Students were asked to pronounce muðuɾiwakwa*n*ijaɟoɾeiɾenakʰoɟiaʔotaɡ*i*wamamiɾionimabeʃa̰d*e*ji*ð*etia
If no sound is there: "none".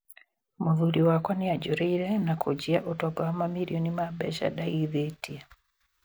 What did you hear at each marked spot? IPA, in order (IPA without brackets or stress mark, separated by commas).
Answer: n, a, a, ð